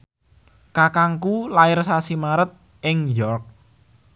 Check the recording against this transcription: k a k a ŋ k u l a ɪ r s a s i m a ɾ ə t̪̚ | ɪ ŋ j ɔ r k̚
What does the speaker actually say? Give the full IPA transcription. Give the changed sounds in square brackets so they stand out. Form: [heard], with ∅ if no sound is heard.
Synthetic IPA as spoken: k a k a ŋ k u l a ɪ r s a s i m a ɾ ə t̪̚ | ɪ ŋ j ɔ r k̚